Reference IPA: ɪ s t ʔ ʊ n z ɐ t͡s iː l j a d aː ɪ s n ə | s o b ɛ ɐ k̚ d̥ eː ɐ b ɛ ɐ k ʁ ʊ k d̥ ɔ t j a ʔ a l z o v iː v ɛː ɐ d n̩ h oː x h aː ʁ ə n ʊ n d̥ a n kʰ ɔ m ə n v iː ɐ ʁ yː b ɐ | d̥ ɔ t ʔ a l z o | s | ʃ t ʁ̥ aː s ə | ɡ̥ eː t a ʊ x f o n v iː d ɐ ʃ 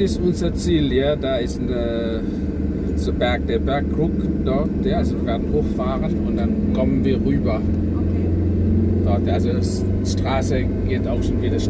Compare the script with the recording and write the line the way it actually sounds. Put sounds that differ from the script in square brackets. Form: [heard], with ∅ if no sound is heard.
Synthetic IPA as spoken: ɪ s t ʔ ʊ n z ɐ t͡s iː l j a d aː ɪ s n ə | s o b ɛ ɐ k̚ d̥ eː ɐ b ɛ ɐ k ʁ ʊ k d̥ ɔ t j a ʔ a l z o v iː v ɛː ɐ d n̩ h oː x [f] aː ʁ ə n ʊ n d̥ a n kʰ ɔ m ə n v iː ɐ ʁ yː b ɐ | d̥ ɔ t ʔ a l z o | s | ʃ t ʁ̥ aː s ə | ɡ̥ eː t a ʊ x [ʃ] o n v iː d ɐ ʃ